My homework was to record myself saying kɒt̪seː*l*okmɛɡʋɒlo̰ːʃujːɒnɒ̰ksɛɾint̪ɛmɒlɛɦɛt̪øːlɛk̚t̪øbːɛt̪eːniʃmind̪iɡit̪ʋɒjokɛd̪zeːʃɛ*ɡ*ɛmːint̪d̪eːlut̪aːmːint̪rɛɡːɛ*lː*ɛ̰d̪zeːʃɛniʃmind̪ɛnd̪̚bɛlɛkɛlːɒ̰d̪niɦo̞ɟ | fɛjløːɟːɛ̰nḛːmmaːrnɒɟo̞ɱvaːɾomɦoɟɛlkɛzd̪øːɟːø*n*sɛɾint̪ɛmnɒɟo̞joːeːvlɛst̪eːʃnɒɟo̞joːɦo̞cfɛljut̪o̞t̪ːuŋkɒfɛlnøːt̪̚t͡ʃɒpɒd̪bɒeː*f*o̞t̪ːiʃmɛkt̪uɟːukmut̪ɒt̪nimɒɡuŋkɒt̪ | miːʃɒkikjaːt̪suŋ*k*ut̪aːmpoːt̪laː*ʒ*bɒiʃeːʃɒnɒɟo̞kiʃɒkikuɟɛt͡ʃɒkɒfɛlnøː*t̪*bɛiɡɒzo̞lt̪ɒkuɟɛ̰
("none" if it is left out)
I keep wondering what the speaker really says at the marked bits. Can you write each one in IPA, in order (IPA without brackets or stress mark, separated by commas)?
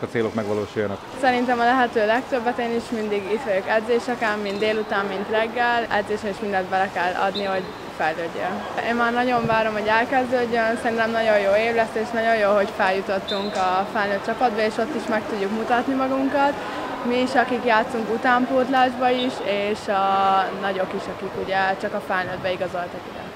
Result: l, k, l, n, ʃ, k, ʒ, d̪